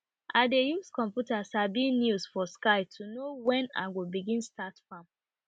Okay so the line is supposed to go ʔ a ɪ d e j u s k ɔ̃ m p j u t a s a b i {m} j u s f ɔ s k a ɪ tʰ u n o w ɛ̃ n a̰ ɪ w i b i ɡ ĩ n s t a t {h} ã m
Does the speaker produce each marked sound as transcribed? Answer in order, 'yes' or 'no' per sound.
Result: no, no

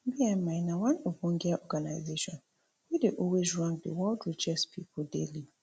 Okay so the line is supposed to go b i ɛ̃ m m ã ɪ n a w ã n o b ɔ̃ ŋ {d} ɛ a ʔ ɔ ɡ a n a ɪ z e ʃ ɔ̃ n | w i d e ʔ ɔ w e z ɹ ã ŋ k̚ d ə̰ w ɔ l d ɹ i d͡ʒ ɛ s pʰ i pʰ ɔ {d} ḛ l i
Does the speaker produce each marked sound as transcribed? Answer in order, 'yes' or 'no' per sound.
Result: no, yes

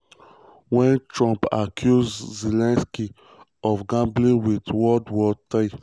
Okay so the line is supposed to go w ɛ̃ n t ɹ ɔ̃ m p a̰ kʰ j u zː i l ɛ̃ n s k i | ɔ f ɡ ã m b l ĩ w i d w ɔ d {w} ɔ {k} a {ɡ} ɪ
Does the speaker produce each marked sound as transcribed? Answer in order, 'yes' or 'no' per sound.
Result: yes, no, no

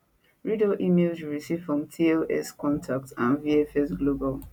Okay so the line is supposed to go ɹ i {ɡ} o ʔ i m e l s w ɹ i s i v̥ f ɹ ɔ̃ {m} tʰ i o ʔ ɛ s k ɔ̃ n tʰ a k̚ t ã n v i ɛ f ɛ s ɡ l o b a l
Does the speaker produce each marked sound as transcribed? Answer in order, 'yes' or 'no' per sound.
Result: no, yes

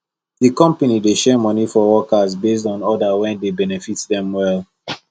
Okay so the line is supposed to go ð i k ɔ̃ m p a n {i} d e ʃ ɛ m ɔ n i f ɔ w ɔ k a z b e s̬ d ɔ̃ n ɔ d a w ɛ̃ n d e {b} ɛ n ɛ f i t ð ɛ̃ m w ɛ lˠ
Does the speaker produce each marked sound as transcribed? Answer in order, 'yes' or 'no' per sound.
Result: yes, yes

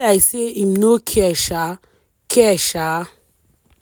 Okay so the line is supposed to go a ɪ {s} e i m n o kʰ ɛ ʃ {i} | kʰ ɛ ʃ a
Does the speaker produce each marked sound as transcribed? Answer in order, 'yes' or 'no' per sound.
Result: yes, no

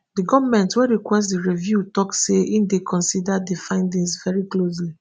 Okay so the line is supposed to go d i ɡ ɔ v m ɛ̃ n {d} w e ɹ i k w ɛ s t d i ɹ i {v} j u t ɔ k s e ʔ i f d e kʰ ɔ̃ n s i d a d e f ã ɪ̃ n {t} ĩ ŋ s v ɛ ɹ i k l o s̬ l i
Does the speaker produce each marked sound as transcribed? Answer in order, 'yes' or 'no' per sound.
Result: no, yes, no

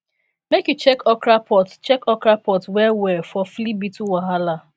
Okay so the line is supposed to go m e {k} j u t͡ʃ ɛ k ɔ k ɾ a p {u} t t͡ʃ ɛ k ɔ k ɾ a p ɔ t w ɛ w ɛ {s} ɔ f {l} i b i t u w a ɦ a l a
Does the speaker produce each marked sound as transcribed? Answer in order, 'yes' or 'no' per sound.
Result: yes, no, no, yes

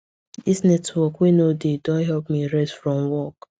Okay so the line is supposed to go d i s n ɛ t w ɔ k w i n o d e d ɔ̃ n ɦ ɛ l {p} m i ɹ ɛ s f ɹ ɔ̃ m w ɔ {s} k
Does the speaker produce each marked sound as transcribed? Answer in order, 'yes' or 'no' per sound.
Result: yes, no

